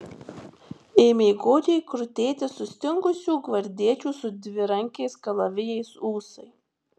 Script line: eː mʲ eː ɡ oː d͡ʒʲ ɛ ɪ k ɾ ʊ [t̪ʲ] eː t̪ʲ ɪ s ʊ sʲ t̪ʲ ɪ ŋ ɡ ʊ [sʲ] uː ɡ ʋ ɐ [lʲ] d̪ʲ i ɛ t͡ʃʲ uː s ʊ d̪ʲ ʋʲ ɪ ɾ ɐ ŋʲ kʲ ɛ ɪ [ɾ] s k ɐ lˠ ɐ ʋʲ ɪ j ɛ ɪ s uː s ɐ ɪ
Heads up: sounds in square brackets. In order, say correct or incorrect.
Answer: correct, correct, incorrect: ɾʲ, incorrect: none

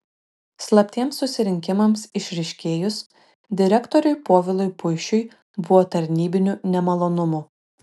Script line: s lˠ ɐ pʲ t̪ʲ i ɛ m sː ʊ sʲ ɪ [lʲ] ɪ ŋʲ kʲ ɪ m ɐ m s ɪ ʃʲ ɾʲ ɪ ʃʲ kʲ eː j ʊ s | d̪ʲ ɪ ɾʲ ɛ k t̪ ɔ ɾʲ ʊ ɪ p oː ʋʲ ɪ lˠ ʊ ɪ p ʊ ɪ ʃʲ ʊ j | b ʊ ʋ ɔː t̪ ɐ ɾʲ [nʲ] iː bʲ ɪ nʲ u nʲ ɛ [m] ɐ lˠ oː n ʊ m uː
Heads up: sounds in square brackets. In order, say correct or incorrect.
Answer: incorrect: ɾʲ, correct, correct

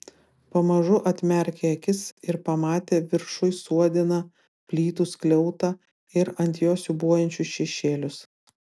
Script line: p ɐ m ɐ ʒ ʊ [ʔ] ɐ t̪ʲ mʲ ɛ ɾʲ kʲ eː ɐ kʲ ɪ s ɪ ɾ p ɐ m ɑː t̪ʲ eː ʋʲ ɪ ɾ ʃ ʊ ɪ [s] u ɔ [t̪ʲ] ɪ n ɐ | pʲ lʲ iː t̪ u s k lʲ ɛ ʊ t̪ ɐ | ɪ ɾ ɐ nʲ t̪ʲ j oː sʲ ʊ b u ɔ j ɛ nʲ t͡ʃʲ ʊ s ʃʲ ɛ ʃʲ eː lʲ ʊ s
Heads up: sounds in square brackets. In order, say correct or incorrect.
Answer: correct, correct, incorrect: d̪ʲ

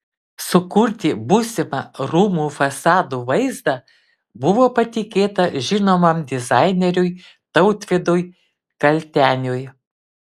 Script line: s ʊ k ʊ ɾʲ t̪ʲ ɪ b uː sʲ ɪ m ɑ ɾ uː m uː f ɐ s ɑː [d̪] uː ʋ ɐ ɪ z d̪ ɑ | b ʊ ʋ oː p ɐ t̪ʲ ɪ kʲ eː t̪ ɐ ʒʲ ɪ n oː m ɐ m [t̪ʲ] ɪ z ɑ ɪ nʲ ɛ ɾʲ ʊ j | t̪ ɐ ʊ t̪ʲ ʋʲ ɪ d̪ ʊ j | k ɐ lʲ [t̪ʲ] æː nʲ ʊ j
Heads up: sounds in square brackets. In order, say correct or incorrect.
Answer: correct, incorrect: d̪ʲ, correct

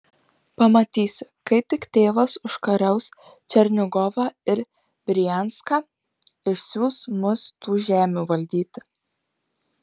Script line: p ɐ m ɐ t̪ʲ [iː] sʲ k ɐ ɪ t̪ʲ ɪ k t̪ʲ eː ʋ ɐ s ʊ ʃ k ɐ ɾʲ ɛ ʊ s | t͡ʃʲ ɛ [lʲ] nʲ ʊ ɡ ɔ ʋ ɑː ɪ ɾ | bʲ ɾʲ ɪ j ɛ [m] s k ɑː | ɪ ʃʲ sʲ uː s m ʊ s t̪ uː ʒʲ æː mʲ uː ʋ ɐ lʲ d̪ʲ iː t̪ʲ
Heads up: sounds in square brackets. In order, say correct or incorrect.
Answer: correct, incorrect: ɾʲ, incorrect: n

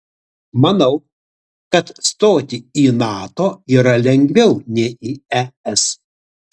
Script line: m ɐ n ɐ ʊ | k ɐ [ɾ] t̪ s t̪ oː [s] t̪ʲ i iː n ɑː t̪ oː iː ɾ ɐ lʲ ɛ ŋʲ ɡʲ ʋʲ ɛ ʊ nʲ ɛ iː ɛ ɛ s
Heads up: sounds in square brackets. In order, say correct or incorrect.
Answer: incorrect: none, incorrect: none

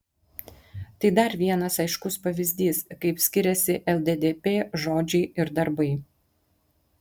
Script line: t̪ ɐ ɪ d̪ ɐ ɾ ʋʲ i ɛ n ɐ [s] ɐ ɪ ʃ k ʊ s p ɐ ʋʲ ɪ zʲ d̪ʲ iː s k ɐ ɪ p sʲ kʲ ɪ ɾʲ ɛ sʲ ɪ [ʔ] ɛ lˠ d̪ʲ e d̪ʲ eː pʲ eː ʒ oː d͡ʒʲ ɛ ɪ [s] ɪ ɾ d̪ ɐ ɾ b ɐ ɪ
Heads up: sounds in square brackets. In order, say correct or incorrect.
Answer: correct, correct, incorrect: none

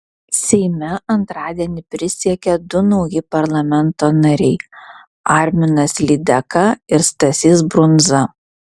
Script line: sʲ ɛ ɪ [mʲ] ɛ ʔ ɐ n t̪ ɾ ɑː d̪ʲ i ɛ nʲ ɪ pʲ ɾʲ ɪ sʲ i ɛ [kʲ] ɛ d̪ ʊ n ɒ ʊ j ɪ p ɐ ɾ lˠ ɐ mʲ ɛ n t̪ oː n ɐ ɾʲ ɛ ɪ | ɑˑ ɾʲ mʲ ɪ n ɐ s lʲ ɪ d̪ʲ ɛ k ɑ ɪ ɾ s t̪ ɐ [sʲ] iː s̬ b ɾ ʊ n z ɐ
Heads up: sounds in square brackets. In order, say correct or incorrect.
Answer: correct, correct, correct

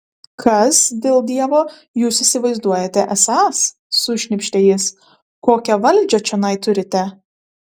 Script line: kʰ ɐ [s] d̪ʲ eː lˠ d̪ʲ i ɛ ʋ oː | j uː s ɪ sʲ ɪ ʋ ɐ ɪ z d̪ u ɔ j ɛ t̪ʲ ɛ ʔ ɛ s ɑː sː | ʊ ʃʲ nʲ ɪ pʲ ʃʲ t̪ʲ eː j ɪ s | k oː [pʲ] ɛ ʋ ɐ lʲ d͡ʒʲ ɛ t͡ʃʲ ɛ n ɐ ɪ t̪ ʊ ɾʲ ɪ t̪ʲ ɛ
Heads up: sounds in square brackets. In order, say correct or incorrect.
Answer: correct, incorrect: kʲ

